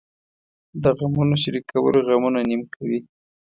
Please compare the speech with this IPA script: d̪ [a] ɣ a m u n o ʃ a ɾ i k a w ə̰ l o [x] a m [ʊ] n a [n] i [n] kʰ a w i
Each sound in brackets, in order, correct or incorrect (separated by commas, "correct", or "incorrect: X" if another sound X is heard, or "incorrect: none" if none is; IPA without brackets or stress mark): incorrect: ə, incorrect: ɣ, incorrect: u, correct, incorrect: m